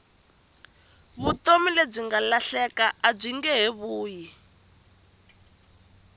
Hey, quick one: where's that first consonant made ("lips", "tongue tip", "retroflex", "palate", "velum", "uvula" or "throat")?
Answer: lips